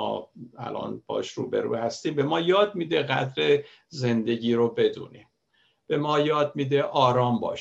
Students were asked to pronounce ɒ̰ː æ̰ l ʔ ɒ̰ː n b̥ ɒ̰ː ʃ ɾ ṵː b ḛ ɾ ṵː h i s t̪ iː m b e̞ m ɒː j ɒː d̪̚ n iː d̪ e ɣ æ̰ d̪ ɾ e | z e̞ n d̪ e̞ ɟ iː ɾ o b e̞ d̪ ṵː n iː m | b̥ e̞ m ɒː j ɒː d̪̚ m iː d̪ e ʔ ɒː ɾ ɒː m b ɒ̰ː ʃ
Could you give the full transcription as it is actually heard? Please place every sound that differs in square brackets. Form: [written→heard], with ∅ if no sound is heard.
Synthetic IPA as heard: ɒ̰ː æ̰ l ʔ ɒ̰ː n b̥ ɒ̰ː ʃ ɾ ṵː b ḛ ɾ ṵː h [i→æ] s t̪ iː m b e̞ m ɒː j ɒː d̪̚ [n→m] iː d̪ e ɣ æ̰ d̪ ɾ e | z e̞ n d̪ e̞ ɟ iː ɾ o b e̞ d̪ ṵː n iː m | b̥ e̞ m ɒː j ɒː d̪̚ m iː d̪ e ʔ ɒː ɾ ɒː m b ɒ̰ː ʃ